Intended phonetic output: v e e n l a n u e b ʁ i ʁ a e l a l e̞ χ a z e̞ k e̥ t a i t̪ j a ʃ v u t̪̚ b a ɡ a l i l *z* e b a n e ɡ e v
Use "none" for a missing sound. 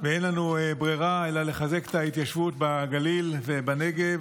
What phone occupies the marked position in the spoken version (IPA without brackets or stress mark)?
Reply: v